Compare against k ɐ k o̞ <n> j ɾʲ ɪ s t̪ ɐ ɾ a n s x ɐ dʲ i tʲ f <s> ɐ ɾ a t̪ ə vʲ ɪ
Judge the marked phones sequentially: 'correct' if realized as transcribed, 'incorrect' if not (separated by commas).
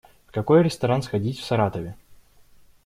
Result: incorrect, correct